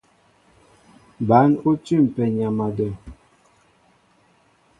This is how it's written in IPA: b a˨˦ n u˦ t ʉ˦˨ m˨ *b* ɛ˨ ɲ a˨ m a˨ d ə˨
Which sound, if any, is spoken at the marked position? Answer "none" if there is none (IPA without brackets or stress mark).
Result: p